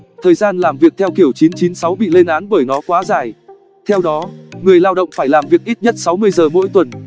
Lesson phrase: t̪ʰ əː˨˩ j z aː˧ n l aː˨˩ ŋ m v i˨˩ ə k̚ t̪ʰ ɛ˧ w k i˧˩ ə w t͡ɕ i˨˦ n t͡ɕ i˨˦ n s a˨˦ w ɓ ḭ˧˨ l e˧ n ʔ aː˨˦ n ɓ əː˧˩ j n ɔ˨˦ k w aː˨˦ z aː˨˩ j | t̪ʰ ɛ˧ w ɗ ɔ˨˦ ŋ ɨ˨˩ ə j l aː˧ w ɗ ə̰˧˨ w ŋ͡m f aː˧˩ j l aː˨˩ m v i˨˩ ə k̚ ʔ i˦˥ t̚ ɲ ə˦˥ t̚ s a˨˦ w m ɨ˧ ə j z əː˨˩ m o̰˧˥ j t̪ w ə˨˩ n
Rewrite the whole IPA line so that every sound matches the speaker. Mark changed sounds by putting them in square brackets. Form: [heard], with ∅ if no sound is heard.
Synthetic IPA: t̪ʰ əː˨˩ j z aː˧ n l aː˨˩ [∅] m v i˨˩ ə k̚ t̪ʰ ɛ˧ w k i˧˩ ə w t͡ɕ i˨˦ n t͡ɕ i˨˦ n s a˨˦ w ɓ ḭ˧˨ l e˧ n ʔ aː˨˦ n ɓ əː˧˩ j n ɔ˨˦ k w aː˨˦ z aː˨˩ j | t̪ʰ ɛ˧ w ɗ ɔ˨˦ ŋ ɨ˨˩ ə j l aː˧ w ɗ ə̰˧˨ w ŋ͡m f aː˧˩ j l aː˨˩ m v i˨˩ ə k̚ ʔ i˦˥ t̚ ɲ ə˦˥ t̚ s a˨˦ w m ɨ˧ ə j z əː˨˩ m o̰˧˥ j t̪ w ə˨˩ n